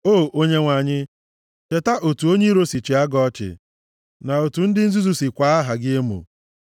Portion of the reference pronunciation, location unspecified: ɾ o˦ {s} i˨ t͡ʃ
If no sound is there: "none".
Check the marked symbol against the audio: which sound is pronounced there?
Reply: s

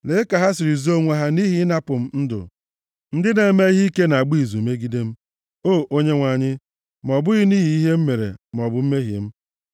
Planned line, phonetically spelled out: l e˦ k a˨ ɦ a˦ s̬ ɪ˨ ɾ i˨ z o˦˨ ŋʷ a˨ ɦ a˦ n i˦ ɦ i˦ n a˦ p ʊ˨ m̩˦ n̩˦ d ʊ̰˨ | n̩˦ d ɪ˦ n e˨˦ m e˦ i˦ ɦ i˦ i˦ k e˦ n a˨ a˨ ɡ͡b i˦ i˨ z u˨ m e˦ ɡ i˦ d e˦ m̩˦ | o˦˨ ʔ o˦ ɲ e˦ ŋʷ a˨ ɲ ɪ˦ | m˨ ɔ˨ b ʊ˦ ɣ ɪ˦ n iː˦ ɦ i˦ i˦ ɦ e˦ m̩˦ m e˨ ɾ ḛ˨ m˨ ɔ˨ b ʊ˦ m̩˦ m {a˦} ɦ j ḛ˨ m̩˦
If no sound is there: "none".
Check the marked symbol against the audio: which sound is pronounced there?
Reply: e˦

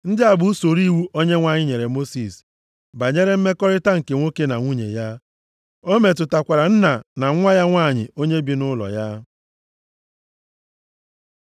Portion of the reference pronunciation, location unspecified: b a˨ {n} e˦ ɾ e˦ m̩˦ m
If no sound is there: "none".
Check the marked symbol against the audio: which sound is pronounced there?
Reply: ɲ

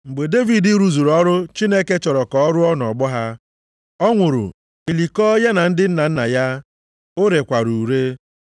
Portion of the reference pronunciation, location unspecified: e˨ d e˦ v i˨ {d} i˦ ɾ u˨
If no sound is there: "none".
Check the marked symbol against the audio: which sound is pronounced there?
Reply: d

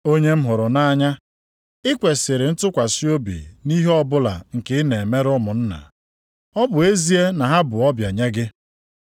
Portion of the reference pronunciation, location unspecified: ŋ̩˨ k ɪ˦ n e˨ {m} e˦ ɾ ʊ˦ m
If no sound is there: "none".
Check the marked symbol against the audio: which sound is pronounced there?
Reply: m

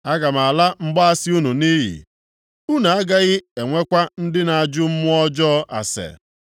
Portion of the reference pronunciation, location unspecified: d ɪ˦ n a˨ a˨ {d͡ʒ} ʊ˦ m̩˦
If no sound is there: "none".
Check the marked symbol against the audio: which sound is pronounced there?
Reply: d͡ʒ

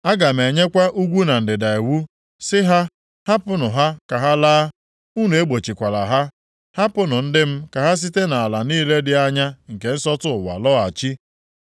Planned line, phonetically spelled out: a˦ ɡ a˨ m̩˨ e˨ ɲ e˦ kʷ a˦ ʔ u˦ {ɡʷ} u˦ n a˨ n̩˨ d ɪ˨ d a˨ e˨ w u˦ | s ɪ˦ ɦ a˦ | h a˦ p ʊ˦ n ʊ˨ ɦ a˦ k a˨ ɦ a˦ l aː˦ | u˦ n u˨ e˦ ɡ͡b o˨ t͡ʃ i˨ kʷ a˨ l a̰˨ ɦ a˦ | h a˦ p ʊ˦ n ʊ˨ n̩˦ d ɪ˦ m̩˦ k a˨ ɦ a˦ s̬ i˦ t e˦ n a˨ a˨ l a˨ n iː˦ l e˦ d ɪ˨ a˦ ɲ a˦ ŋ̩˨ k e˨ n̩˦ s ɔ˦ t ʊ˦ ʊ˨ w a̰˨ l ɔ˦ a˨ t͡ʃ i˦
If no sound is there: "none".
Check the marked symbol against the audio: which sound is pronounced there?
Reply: ɡʷ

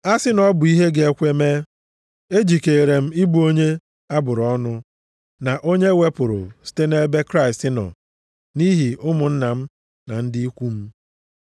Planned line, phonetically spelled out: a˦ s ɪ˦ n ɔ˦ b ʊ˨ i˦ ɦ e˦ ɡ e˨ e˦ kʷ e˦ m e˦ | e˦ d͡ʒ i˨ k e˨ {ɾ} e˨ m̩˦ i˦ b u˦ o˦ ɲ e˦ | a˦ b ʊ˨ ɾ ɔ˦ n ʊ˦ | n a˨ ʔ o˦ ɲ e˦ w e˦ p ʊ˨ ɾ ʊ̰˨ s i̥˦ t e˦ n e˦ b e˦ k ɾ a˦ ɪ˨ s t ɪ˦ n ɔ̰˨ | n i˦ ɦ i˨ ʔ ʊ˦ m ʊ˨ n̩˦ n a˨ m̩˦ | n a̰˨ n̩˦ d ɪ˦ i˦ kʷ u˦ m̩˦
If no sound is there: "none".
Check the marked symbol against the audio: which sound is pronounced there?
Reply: ɾ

